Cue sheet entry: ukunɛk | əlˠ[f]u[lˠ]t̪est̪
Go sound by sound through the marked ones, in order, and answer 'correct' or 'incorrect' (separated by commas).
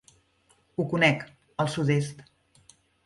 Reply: incorrect, incorrect